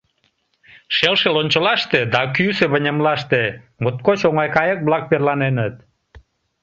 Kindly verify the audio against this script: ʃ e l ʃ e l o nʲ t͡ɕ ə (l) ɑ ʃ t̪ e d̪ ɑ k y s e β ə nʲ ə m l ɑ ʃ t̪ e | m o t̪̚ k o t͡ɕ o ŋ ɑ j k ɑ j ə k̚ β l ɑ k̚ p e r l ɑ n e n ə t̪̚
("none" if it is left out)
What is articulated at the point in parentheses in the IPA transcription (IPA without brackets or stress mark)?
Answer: l